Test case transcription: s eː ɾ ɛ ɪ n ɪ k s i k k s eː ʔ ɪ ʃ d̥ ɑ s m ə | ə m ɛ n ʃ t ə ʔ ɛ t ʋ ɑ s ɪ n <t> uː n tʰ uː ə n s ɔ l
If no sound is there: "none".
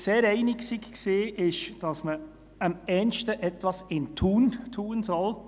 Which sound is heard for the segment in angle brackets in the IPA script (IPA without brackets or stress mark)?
tʰ